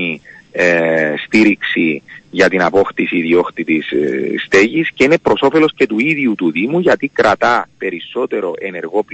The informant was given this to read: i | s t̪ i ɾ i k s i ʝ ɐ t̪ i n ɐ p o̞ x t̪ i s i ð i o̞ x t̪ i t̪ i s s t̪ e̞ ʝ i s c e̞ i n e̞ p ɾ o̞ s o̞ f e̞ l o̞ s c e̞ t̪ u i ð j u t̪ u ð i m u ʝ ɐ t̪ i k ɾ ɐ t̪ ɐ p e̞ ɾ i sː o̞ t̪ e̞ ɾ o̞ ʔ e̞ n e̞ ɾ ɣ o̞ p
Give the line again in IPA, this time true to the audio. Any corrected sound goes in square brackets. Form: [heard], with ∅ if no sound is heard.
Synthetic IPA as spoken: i | s t̪ i ɾ i k s i ʝ ɐ t̪ i n ɐ p o̞ x t̪ i s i ð i o̞ x t̪ i t̪ i s s t̪ e̞ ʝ i s c e̞ i n e̞ p ɾ o̞ s o̞ f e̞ l o̞ s c e̞ t̪ u i ð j u t̪ u ð i m u ʝ ɐ t̪ i k ɾ ɐ t̪ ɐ p e̞ ɾ i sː o̞ t̪ e̞ ɾ o̞ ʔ e̞ n e̞ ɾ ɣ o̞ p